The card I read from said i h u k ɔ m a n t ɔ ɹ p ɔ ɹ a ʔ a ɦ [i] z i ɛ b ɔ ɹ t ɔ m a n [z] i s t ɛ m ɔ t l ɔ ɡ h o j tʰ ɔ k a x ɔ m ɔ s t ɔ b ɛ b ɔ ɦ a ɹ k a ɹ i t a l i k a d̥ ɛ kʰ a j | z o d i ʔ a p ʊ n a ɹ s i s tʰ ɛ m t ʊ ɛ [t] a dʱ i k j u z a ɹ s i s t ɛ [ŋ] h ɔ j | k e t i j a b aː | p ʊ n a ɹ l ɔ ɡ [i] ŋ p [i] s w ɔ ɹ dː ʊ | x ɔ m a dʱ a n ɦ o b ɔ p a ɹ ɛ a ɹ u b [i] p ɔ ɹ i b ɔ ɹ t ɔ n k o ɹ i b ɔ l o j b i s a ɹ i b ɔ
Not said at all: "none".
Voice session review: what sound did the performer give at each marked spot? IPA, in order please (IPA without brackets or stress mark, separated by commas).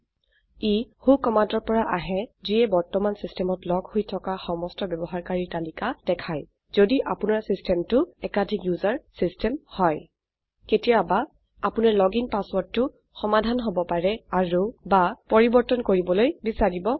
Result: ɛ, s, k, m, i, a, a